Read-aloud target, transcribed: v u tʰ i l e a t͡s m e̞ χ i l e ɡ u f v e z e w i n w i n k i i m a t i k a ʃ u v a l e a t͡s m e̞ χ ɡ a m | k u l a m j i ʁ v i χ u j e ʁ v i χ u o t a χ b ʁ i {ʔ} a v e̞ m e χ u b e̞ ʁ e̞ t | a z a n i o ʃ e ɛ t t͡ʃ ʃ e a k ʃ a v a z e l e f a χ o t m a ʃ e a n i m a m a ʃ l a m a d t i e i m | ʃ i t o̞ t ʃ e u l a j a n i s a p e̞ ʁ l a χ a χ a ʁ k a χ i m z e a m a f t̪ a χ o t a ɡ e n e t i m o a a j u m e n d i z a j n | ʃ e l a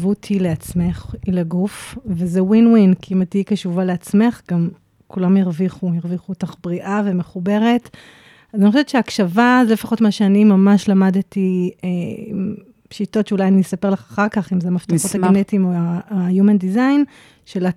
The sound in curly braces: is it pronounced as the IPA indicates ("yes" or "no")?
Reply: yes